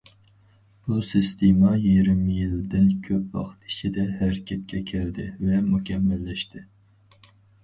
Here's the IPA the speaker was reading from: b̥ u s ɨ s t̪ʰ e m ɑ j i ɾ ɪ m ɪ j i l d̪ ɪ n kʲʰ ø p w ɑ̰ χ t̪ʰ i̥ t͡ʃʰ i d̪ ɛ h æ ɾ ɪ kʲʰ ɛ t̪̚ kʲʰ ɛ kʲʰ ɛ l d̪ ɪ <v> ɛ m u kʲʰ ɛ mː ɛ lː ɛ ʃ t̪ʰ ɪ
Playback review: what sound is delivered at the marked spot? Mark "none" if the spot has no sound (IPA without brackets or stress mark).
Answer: v